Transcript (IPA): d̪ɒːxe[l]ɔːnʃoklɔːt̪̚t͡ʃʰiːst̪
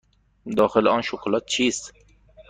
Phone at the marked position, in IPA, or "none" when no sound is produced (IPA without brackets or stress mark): l